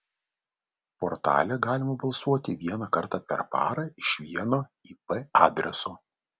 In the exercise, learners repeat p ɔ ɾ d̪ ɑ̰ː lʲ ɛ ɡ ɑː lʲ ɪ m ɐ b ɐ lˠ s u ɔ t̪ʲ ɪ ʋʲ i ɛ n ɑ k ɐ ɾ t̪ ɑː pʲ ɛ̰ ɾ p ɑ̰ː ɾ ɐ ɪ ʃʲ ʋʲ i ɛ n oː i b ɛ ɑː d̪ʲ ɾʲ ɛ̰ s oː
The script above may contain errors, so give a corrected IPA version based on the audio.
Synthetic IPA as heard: p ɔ ɾ t̪ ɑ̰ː lʲ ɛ ɡ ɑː lʲ ɪ m ɐ b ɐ lˠ s u ɔ t̪ʲ ɪ ʋʲ i ɛ n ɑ k ɐ ɾ t̪ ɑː pʲ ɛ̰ ɾ p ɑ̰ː ɾ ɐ ɪ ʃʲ ʋʲ i ɛ n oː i p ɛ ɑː d̪ʲ ɾʲ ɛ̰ s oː